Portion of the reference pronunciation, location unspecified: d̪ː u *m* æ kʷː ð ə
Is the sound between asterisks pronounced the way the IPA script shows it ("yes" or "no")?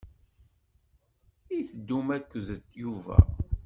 yes